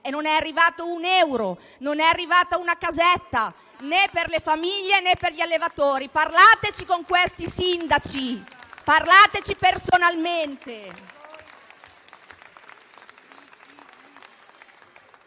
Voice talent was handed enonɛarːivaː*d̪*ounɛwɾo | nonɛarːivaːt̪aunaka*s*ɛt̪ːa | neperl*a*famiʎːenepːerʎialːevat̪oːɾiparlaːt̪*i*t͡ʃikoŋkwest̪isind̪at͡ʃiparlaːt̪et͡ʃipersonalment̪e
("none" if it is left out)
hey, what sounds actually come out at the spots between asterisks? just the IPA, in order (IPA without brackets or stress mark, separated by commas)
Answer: t̪, z, e, e